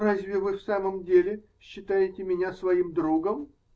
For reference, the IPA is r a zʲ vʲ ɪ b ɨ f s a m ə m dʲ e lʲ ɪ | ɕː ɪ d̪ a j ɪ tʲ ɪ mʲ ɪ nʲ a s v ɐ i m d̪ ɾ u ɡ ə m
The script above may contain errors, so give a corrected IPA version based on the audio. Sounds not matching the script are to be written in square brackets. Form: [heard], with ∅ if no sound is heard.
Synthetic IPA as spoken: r a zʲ vʲ ɪ [v] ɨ f s a m ə m dʲ e lʲ ɪ | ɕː ɪ [t̪] a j ɪ tʲ ɪ mʲ ɪ nʲ a s v ɐ i m d̪ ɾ u ɡ ə m